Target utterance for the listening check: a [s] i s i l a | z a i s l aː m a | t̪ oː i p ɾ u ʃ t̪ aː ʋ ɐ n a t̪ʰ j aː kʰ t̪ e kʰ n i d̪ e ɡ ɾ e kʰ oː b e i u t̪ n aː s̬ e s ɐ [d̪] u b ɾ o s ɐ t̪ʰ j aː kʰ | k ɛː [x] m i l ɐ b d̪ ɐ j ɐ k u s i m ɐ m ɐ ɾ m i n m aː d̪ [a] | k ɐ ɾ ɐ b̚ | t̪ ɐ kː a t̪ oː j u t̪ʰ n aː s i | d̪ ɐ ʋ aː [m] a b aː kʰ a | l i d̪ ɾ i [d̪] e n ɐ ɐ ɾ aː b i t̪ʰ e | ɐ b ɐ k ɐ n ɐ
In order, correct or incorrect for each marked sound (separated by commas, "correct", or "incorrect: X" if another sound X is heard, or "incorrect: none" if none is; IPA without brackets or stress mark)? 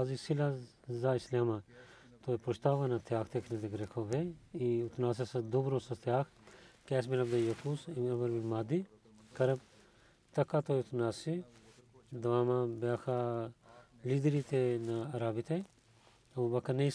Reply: incorrect: z, correct, incorrect: s, incorrect: i, correct, incorrect: t̪